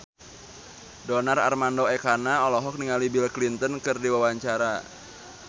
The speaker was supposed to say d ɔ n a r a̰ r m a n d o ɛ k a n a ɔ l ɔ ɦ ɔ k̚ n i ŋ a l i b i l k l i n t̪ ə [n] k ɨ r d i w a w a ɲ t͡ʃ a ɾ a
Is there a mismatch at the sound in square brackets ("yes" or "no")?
no